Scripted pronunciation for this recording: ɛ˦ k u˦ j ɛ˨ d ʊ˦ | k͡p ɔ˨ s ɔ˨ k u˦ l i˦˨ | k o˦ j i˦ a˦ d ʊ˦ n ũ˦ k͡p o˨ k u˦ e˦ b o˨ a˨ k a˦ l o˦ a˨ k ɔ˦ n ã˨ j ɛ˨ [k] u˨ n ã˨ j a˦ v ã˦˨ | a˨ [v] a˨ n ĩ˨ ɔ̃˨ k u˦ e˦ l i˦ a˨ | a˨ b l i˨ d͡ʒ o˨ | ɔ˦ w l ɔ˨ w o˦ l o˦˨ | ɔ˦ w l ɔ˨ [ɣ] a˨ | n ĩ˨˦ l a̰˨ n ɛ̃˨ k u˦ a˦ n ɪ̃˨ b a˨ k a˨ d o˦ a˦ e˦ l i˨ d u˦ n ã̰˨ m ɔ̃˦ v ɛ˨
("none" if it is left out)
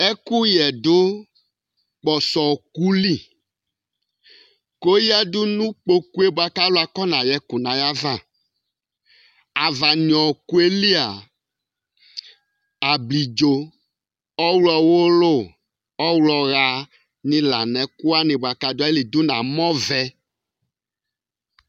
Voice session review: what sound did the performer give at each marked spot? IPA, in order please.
k, v, ɣ

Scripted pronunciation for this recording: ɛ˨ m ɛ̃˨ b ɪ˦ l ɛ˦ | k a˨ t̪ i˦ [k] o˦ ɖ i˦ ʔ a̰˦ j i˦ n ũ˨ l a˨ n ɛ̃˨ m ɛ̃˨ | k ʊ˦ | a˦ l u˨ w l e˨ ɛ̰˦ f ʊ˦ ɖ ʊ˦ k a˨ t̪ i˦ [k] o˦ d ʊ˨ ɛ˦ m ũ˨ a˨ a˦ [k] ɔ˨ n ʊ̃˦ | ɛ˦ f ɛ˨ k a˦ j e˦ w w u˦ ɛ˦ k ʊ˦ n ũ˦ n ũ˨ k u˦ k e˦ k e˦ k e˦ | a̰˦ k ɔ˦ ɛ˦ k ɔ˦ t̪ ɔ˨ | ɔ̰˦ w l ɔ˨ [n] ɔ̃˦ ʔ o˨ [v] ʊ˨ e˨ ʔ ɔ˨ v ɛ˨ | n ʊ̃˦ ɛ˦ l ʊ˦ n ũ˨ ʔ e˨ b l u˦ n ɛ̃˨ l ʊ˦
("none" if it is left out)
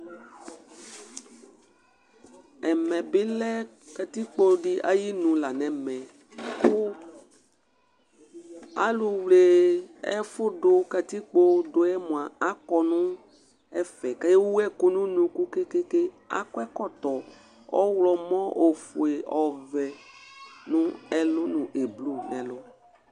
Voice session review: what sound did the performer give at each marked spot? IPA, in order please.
k͡p, k͡p, k, m, f

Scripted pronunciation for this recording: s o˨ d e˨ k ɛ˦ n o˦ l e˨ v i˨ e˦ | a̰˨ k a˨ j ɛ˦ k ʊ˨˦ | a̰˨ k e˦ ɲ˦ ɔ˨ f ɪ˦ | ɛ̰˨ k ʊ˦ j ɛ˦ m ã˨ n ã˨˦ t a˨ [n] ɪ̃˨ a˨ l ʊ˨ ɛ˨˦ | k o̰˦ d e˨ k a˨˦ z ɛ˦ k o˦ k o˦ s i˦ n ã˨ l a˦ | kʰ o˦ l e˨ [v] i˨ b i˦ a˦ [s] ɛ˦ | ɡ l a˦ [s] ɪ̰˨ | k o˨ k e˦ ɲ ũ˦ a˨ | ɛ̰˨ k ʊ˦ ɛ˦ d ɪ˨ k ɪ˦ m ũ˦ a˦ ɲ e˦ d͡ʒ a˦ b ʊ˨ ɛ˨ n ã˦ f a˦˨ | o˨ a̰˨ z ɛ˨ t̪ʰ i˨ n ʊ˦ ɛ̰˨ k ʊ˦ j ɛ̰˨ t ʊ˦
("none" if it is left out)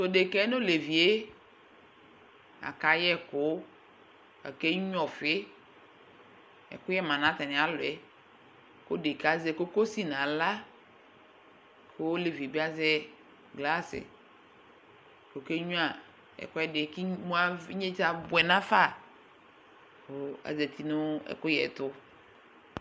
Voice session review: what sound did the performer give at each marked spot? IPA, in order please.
n, v, z, s

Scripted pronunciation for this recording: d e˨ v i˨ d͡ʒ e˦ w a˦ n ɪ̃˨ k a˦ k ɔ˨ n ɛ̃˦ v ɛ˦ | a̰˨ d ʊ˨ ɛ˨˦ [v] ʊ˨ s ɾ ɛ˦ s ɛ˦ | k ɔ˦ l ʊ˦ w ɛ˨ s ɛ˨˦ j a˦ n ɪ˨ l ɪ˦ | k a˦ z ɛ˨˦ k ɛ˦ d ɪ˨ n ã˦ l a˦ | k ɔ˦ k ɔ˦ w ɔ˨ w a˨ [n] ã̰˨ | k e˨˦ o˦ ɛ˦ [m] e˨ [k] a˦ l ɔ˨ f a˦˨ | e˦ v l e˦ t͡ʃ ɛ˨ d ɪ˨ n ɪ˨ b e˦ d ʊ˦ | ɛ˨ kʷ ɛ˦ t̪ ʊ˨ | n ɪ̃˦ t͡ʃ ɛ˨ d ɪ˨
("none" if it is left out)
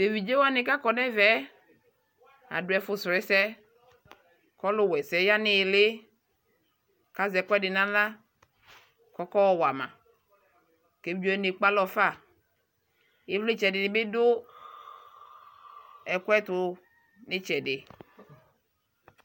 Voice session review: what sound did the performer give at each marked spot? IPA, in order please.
f, m, n, k͡p

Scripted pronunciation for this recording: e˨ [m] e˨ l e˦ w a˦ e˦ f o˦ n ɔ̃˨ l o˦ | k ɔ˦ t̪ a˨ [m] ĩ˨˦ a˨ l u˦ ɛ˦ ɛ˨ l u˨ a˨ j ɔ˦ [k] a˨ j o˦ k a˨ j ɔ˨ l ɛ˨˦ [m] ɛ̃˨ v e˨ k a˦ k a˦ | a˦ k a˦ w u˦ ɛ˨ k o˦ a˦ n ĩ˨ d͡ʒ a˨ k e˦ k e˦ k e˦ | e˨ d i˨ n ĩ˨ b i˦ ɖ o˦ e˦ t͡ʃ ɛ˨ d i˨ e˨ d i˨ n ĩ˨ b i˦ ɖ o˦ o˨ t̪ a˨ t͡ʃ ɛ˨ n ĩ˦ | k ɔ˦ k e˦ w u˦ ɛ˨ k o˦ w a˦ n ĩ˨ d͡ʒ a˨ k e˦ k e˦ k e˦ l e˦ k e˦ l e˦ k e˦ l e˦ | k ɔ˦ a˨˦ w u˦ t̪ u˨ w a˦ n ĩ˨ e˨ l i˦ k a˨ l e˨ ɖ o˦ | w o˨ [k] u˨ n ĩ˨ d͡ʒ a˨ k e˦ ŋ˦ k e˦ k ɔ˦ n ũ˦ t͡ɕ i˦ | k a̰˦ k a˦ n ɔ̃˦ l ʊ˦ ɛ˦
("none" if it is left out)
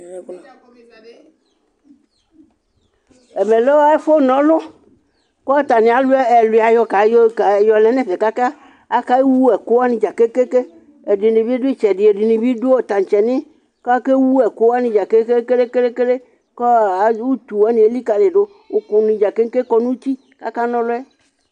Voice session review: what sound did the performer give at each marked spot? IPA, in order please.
m, n, k, n, k

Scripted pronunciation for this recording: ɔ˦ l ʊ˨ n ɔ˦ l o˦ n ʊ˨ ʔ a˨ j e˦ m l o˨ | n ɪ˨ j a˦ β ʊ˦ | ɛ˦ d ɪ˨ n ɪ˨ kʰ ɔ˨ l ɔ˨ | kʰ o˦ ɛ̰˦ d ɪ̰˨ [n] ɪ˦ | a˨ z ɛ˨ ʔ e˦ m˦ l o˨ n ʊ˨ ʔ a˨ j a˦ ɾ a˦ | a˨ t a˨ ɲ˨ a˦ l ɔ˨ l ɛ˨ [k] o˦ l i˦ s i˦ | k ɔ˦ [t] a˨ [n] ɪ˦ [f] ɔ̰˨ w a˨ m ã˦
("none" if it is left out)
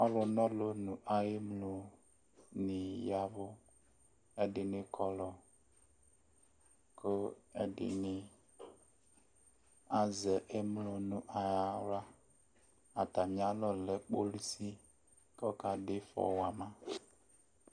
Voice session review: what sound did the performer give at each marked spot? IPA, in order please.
n, k͡p, k, d, f

